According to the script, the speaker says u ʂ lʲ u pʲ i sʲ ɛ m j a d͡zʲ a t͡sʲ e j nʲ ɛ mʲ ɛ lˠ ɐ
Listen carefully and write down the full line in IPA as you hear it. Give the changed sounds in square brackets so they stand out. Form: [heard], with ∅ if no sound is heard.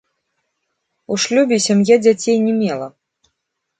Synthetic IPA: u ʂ lʲ u [bʲ] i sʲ [a] m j a d͡zʲ a t͡sʲ e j nʲ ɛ mʲ ɛ lˠ ɐ

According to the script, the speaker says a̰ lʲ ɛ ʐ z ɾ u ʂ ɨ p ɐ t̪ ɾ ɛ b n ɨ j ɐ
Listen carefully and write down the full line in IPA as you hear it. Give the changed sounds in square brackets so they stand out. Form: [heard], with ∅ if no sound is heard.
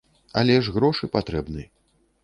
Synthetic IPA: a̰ lʲ ɛ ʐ [ɣ] ɾ [ɔ] ʂ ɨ p [a] t̪ ɾ ɛ b n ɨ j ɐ

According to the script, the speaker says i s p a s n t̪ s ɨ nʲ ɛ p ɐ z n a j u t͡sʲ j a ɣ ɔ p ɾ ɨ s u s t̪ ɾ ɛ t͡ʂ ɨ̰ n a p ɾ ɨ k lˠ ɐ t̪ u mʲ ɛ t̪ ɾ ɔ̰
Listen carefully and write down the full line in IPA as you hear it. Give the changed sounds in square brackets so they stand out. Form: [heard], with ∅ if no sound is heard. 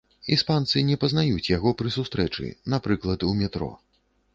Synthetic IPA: i s p a [∅] n t̪ s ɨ nʲ ɛ p ɐ z n a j u t͡sʲ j a ɣ ɔ p ɾ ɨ s u s t̪ ɾ ɛ t͡ʂ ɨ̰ n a p ɾ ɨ k lˠ ɐ t̪ u mʲ ɛ t̪ ɾ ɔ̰

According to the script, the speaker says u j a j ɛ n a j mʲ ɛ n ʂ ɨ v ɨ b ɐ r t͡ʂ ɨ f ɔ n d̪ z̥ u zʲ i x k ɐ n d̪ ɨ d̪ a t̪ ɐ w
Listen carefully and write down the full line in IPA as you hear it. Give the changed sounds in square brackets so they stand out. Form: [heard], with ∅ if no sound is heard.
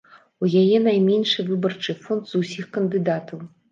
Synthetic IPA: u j a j ɛ n a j mʲ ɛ n ʂ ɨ v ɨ b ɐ r t͡ʂ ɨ f ɔ n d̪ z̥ u [sʲ] i x k ɐ n d̪ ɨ d̪ a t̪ ɐ w

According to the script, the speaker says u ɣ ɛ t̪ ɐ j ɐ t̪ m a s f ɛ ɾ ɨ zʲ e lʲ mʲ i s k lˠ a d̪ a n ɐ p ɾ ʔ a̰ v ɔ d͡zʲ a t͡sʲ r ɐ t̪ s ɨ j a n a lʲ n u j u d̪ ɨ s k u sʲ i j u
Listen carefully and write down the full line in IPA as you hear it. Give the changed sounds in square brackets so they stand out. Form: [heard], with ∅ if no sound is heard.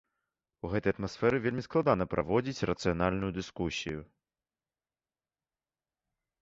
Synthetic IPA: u ɣ ɛ t̪ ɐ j ɐ t̪ m a s f ɛ ɾ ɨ [vʲ] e lʲ mʲ i s k lˠ a d̪ a n ɐ p ɾ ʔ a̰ v ɔ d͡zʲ [i] t͡sʲ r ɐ t̪ s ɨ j a n a lʲ n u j u d̪ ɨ s k u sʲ i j u

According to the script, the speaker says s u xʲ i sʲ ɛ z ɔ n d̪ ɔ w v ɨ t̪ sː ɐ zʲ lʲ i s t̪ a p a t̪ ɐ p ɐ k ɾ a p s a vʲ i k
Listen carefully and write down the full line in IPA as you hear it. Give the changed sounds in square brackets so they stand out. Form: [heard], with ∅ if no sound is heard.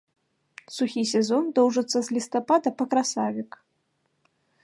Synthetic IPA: s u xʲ i sʲ ɛ z ɔ n d̪ ɔ w [ʐ] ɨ t̪ sː ɐ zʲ lʲ i s t̪ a p a [d̪] ɐ p ɐ k ɾ a [∅] s a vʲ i k

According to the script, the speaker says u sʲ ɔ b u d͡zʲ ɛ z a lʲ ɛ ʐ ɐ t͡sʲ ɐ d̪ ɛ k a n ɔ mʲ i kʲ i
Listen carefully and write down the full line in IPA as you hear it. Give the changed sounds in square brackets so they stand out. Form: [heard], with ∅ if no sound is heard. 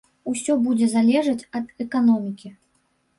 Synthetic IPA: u sʲ ɔ b u d͡zʲ ɛ z a lʲ ɛ ʐ ɐ t͡sʲ ɐ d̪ ɛ k a n ɔ mʲ i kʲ i

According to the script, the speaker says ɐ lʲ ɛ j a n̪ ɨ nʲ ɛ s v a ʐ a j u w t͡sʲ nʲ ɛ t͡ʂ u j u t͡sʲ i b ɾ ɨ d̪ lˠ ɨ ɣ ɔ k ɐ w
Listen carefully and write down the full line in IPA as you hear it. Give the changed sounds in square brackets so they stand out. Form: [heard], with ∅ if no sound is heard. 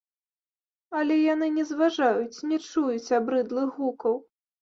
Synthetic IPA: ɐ lʲ ɛ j a n̪ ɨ nʲ ɛ [z] v a ʐ a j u [∅] t͡sʲ nʲ ɛ t͡ʂ u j u t͡sʲ [a] b ɾ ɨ d̪ lˠ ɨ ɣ [u] k ɐ w

